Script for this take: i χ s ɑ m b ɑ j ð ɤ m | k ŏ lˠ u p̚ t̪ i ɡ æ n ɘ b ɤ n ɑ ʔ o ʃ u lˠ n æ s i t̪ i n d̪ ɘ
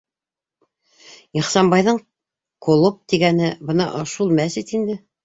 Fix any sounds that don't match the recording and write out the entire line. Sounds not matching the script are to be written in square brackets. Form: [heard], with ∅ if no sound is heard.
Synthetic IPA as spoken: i χ s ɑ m b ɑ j ð ɤ [ɴ] | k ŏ lˠ [o] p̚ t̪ i ɡ æ n ɘ b ɤ n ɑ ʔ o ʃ u lˠ [m] æ s i t̪ i n d̪ ɘ